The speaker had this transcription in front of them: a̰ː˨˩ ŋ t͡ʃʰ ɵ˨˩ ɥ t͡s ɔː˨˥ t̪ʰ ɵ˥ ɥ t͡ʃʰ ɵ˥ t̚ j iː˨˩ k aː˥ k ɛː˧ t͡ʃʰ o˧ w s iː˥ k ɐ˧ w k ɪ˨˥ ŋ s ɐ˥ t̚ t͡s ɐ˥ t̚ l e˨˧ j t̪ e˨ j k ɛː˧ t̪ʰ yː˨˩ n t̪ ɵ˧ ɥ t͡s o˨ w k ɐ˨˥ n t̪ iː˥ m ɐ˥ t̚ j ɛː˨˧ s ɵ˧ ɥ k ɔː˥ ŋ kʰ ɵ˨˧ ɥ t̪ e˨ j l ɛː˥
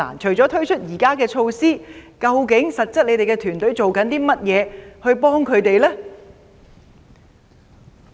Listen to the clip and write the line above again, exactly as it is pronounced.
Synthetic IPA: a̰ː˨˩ n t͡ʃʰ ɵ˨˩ ɥ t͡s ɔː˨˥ t̪ʰ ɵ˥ ɥ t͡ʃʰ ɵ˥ t̚ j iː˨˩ k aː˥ k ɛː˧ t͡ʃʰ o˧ w s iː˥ k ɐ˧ w k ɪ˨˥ ŋ s ɐ˨ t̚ t͡s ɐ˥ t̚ l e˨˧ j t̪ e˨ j k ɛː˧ t̪ʰ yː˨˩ n t̪ ɵ˨˥ ɥ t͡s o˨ w k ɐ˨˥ n t̪ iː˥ m ɐ˥ t̚ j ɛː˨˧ h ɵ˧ ɥ p ɔː˥ ŋ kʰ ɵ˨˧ ɥ t̪ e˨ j l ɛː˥